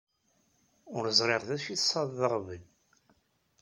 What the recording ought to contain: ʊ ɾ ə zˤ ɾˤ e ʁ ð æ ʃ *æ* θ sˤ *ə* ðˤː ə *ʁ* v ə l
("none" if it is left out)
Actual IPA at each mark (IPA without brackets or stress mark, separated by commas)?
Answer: i, ɑ, ʁ